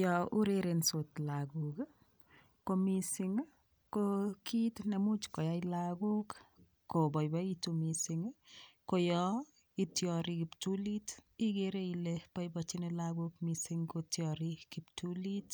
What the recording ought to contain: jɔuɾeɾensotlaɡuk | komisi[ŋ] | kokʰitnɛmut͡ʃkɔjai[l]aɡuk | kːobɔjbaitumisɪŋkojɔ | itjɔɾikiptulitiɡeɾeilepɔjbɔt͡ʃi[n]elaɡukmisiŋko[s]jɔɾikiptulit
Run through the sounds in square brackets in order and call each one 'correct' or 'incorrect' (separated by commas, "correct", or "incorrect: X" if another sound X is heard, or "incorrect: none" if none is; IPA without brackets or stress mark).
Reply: correct, correct, correct, incorrect: t